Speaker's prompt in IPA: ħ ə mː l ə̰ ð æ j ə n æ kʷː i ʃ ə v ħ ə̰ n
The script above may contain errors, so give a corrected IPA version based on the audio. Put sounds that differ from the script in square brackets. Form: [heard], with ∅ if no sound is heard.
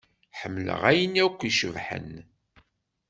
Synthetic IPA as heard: ħ ə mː l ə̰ [ʁ] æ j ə n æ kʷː i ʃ ə v ħ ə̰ n